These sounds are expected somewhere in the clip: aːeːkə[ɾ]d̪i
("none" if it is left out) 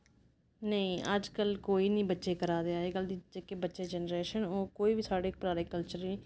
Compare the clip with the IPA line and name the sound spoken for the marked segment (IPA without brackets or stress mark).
l